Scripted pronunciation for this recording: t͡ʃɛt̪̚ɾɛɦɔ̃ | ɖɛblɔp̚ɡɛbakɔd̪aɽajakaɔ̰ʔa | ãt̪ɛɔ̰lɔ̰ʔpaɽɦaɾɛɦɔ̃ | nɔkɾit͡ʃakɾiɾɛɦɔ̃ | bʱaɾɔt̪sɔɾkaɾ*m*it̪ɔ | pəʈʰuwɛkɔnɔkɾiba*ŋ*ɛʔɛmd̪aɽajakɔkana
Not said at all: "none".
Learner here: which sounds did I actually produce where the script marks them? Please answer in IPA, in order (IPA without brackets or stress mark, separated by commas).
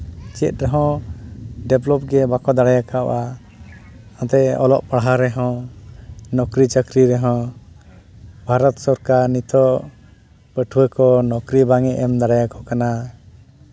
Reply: n, ŋ